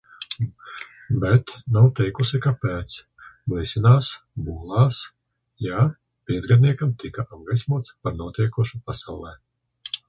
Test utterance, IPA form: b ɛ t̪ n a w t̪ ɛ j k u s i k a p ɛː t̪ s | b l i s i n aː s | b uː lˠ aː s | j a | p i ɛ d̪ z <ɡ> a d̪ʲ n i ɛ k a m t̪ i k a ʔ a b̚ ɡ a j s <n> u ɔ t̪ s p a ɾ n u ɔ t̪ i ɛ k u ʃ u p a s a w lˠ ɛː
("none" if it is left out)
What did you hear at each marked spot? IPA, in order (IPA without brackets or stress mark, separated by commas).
ɡ, m